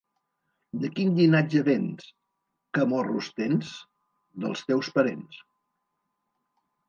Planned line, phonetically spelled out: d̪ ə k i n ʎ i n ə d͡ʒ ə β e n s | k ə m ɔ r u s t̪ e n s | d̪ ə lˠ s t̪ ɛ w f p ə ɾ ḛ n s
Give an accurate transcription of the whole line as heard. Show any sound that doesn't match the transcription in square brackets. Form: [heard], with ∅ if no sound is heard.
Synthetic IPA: d̪ ə k i n ʎ i n [a] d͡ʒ ə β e n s | k ə m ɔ r u s t̪ e n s | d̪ ə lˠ s t̪ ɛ w [s] p ə ɾ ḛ n s